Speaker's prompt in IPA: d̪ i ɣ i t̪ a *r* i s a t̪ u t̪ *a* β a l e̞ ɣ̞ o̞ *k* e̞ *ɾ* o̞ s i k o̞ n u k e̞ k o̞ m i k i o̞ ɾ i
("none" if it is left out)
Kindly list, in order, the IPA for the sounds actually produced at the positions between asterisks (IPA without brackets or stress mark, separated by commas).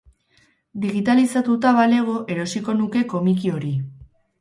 l, a, ʔ, ɾ